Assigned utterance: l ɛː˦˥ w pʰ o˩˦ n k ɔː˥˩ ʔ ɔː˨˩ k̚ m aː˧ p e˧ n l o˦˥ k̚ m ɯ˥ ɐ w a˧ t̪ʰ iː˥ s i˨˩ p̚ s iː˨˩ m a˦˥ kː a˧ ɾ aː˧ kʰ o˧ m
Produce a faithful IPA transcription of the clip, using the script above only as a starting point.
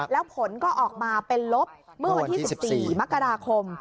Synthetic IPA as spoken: l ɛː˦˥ w pʰ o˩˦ n k ɔː˥˩ ʔ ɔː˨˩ k̚ m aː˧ p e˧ n l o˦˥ p̚ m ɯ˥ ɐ w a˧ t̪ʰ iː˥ s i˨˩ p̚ s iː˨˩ m a˦˥ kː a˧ ɾ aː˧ kʰ o˧ m